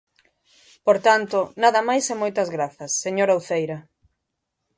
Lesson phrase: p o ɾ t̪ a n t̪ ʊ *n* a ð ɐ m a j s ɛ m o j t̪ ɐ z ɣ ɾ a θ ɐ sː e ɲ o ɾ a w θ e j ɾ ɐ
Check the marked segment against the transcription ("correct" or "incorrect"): correct